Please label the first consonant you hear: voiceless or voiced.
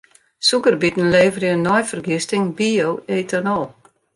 voiceless